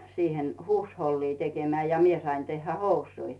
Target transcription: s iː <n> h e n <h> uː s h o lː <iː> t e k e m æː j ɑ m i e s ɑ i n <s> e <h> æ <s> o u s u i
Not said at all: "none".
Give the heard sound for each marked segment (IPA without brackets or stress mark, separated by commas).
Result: none, h, iː, t, hː, h